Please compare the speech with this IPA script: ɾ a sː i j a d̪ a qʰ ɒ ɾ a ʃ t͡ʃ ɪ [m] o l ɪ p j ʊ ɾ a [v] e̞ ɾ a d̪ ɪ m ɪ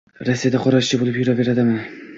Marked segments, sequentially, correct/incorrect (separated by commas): incorrect, incorrect